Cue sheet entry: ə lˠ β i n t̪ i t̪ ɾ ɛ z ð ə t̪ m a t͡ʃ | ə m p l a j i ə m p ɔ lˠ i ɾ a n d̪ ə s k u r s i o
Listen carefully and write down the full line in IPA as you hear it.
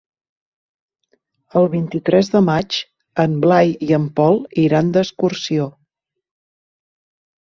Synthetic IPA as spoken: ə lˠ β i n t̪ i t̪ ɾ ɛ z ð ə m a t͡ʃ | ə m b l a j i ə m p ɔ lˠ i ɾ a n d̪ ə s k u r s i o